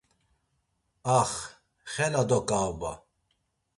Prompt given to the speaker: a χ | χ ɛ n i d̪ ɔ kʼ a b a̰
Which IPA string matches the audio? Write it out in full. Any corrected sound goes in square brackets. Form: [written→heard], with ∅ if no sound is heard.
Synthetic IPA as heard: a χ | χ ɛ n [i→a] d̪ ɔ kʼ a b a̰